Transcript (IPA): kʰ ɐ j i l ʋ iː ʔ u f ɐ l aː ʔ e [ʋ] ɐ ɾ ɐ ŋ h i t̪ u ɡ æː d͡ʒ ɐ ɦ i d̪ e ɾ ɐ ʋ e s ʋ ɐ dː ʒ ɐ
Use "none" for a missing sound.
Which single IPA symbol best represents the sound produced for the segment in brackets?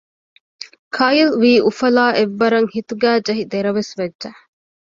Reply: ʋː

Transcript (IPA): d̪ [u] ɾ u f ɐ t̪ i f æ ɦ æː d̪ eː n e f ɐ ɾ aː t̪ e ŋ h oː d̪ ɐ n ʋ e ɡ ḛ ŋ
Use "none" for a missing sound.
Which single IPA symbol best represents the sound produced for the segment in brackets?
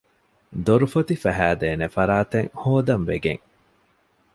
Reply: o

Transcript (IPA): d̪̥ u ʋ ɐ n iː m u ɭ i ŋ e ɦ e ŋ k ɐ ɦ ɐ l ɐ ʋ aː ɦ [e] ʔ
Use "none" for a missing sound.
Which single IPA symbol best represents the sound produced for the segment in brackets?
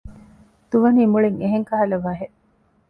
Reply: e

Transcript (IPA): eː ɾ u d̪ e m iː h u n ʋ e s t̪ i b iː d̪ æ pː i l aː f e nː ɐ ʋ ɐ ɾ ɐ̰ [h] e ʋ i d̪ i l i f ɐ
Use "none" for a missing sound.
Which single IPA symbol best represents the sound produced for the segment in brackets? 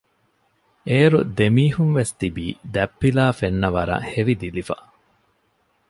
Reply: h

